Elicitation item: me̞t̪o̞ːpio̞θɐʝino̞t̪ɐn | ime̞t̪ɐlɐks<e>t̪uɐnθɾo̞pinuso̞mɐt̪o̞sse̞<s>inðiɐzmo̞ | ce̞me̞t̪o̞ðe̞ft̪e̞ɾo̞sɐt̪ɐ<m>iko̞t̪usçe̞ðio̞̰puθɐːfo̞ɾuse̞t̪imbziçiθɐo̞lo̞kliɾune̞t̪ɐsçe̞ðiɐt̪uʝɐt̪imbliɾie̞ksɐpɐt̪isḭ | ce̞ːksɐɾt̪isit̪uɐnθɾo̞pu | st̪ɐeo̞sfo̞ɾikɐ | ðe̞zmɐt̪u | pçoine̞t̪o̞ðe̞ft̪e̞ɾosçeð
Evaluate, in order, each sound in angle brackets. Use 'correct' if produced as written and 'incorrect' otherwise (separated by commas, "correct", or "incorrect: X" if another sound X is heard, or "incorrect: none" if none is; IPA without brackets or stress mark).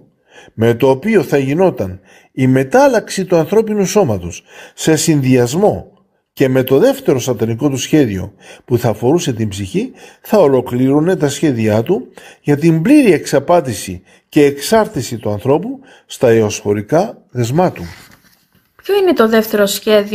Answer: incorrect: i, correct, incorrect: n